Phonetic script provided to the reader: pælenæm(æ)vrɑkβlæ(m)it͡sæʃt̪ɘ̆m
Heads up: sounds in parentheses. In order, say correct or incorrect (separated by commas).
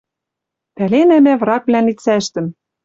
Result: correct, incorrect